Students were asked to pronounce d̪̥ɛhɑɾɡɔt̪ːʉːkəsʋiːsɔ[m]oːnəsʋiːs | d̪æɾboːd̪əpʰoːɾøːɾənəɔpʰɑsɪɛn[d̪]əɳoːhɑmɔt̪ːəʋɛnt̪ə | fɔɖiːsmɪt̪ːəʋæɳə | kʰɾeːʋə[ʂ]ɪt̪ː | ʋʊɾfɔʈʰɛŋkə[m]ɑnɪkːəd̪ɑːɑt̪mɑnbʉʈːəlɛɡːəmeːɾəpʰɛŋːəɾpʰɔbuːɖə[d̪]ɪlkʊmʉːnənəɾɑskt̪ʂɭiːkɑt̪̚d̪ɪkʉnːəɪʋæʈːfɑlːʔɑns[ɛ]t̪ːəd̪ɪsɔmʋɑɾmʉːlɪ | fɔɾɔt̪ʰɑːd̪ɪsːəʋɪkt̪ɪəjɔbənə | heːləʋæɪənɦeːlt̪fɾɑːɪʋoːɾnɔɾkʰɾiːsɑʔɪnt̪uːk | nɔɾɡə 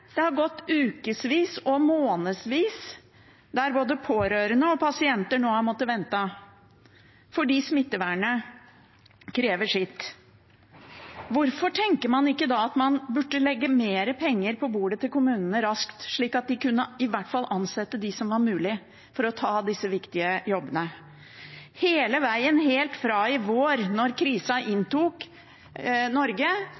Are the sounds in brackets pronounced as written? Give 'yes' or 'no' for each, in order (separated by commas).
yes, no, yes, yes, no, yes